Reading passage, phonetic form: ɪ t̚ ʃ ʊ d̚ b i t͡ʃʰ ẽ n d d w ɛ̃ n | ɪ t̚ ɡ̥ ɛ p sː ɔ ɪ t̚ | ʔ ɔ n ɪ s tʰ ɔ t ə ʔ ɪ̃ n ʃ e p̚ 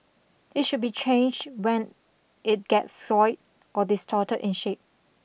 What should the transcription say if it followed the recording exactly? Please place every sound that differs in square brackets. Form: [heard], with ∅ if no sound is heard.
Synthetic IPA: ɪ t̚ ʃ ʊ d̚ b i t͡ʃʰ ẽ n [d͡ʒ] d w ɛ̃ n | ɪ t̚ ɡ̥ ɛ [t] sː ɔ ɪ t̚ | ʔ ɔ [d] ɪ s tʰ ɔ t ə ʔ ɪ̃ n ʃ e p̚